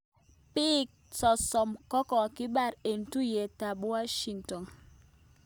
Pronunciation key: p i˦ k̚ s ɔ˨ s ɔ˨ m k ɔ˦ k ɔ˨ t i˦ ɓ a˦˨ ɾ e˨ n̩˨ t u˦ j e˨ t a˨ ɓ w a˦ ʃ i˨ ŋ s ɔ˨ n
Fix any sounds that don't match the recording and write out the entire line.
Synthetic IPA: p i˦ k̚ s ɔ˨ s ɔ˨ m k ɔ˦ k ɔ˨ k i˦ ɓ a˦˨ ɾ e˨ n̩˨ t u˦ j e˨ t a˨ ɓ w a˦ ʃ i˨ ŋ t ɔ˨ n